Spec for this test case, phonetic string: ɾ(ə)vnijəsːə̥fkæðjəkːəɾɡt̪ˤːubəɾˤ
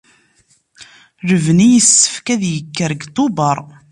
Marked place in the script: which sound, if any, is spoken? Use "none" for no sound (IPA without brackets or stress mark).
ə